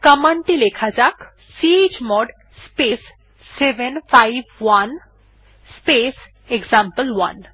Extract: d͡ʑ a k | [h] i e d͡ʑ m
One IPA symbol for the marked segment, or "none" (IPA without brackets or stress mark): s